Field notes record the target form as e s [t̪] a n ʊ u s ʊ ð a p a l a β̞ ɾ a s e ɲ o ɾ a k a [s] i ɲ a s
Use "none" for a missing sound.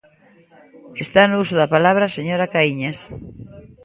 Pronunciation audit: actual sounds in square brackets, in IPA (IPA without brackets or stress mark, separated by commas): t̪, none